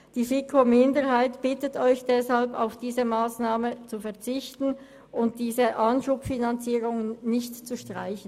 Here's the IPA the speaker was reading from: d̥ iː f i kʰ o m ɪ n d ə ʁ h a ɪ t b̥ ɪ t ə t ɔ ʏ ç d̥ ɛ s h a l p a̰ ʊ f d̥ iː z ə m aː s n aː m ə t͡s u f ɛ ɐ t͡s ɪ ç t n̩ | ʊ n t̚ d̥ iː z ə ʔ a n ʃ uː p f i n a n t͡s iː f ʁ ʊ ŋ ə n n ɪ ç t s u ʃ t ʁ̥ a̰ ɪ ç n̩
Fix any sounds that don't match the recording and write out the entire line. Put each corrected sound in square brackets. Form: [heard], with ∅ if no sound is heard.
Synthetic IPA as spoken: d̥ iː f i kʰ o m ɪ n d ə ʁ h a ɪ t b̥ ɪ t ə t ɔ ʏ ç d̥ ɛ s h a l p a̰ ʊ f d̥ iː z ə m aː s n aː m ə t͡s u f ɛ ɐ t͡s ɪ ç t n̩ | ʊ n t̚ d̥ iː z ə ʔ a n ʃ uː p f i n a n t͡s iː [∅] ʁ ʊ ŋ ə n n ɪ ç t [t͡s] u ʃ t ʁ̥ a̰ ɪ ç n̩